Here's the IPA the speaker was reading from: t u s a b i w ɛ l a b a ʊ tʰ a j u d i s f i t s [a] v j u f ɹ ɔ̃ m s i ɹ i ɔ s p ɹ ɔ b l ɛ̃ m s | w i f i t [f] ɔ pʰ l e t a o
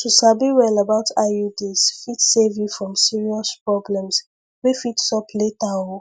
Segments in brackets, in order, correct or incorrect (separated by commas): incorrect, incorrect